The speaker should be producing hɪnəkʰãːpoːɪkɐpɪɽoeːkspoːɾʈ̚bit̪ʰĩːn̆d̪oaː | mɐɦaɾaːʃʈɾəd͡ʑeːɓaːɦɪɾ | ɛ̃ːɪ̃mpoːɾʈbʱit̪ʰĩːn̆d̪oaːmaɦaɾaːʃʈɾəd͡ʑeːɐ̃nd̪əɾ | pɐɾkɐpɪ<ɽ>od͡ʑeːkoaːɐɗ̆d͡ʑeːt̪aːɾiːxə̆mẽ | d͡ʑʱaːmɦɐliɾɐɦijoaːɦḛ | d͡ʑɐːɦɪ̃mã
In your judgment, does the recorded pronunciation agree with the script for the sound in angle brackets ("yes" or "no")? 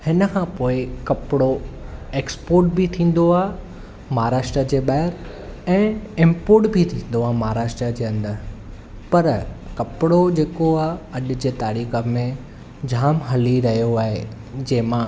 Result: yes